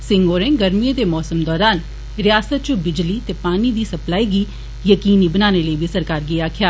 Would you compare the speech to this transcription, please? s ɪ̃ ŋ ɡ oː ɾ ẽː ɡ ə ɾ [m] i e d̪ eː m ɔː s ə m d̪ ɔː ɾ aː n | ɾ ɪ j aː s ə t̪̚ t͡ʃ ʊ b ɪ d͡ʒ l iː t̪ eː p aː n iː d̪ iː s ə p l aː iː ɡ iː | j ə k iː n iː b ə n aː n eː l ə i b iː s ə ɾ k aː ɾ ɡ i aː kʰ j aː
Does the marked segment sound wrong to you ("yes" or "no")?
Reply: no